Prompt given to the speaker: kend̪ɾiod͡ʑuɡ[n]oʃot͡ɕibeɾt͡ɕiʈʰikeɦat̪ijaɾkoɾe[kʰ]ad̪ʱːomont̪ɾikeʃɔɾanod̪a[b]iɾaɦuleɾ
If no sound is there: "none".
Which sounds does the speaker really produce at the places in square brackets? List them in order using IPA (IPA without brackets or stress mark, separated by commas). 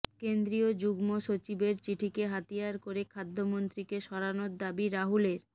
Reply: m, kʰ, b